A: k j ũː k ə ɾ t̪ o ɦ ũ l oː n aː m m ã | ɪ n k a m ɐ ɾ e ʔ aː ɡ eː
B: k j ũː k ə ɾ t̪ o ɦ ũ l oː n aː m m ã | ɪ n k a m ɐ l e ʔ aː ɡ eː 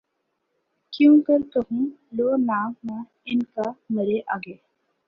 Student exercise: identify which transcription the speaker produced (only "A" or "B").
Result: A